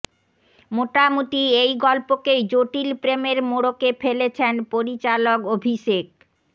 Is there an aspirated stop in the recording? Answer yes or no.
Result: yes